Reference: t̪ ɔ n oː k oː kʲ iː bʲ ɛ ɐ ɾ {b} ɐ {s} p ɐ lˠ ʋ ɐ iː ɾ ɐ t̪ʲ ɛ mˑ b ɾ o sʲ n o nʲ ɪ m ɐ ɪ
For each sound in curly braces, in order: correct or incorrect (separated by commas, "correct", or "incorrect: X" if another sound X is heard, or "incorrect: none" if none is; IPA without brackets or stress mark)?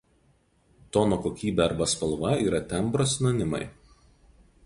correct, correct